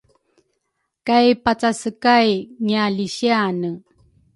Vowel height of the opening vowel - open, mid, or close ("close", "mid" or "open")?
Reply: open